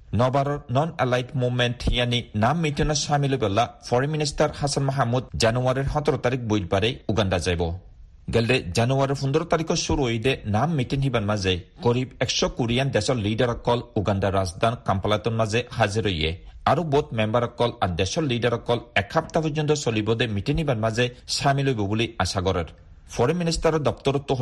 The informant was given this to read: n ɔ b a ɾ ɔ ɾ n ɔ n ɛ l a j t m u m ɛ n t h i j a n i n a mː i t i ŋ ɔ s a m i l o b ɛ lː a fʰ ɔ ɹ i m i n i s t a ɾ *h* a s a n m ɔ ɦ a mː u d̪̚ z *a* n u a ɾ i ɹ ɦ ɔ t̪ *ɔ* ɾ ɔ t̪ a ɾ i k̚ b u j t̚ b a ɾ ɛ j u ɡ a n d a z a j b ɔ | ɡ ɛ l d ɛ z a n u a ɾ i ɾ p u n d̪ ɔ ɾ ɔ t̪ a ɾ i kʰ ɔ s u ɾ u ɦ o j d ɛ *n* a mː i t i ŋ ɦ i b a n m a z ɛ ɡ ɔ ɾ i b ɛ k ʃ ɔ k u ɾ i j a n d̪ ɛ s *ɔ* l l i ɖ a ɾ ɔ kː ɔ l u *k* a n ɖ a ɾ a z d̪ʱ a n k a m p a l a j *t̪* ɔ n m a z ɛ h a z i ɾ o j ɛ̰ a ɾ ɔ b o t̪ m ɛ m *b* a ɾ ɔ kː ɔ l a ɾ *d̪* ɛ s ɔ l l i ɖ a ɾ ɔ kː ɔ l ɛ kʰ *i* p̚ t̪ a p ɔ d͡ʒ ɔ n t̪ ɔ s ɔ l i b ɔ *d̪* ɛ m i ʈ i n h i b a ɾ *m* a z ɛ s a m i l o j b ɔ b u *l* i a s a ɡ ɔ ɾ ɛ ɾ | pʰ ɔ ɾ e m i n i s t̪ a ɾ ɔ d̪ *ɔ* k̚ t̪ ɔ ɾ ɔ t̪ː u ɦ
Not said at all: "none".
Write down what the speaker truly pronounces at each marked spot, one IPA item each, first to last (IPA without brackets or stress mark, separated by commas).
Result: h, a, ɔ, n, ɔ, ɡ, t̪, b, d̪, a, d̪, m, l, ɔ